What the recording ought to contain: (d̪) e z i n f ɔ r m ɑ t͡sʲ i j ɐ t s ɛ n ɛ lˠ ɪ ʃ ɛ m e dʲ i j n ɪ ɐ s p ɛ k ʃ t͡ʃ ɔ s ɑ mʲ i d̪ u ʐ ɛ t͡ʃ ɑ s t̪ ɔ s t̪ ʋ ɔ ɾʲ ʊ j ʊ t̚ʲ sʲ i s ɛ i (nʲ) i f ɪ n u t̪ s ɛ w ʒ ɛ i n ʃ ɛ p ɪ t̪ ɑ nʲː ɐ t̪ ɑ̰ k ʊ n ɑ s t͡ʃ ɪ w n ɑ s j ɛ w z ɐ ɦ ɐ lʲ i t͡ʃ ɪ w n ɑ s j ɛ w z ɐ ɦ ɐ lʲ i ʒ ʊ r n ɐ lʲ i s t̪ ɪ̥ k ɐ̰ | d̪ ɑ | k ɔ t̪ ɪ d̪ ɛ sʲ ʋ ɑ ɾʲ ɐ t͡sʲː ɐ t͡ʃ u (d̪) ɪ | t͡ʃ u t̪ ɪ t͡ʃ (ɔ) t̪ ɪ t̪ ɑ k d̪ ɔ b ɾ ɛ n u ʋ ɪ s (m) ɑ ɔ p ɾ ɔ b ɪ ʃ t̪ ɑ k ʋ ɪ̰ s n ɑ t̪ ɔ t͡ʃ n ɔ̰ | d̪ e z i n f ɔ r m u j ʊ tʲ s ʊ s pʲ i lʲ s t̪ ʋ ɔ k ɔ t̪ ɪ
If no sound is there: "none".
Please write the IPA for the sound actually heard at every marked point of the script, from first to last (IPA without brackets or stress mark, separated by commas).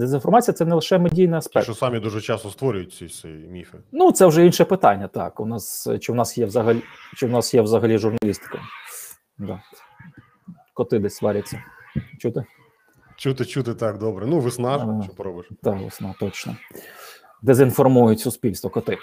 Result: d̪, mʲ, t̪, u, n